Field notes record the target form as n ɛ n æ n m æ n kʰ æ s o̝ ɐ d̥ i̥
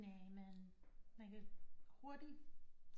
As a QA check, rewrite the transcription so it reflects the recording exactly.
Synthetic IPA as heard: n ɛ m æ n m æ n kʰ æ h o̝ ɐ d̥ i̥